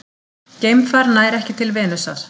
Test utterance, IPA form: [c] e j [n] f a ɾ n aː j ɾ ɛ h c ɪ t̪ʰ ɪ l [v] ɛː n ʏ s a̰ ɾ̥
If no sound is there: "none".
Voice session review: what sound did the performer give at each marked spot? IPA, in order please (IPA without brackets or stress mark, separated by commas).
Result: c, m, v